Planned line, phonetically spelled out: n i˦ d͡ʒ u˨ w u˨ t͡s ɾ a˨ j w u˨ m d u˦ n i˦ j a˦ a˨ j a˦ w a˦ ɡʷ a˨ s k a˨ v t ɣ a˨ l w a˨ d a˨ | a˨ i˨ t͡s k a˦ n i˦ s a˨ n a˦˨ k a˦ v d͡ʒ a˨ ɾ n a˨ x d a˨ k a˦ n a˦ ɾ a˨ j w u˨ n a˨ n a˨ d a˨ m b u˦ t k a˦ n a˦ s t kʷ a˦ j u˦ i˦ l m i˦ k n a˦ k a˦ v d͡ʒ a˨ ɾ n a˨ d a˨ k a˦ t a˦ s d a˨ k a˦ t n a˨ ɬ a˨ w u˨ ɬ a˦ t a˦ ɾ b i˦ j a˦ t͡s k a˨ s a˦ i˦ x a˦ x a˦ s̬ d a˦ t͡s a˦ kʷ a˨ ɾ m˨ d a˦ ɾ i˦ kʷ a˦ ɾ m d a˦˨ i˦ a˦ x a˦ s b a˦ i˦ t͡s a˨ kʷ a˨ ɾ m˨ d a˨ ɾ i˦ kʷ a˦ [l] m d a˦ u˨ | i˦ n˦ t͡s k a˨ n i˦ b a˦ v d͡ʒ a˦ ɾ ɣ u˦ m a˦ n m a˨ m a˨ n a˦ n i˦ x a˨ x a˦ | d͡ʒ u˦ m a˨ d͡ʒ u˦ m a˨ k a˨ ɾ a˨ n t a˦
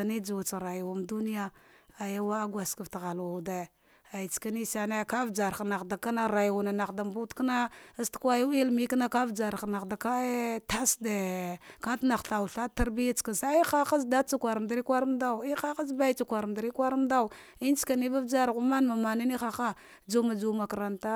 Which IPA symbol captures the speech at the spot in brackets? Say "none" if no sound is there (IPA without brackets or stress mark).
ɾ